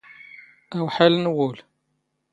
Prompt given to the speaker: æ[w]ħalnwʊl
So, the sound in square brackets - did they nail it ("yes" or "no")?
yes